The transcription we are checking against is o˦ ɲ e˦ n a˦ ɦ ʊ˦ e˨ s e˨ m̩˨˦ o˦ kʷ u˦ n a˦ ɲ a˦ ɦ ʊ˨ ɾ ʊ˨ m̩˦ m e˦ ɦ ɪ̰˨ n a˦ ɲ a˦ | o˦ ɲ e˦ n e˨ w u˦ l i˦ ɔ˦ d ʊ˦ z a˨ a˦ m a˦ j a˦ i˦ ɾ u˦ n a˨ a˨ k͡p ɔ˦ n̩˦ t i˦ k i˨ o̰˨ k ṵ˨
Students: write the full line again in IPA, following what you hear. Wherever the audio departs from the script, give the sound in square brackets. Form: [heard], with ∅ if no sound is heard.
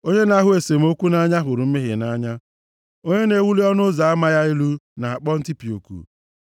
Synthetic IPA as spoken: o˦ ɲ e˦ n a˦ ɦ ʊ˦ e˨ s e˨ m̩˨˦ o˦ kʷ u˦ n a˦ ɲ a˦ ɦ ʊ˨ ɾ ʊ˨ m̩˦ m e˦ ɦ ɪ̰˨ n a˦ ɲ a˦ | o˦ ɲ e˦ n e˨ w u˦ l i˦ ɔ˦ [n] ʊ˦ z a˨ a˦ m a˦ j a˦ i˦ [l] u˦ n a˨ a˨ k͡p ɔ˦ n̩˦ t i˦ [p] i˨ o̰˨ k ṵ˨